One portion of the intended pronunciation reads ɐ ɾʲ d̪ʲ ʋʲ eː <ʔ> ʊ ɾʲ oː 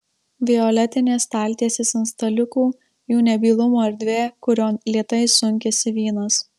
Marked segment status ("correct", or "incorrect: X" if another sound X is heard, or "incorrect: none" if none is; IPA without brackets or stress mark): incorrect: k